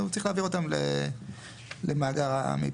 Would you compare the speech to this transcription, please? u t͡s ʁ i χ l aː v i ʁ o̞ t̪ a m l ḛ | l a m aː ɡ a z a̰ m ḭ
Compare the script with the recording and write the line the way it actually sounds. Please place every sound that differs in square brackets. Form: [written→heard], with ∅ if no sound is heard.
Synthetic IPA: u t͡s ʁ i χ l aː v i ʁ o̞ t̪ a m l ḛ | l [a→e] m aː ɡ a [z→ʁ] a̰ m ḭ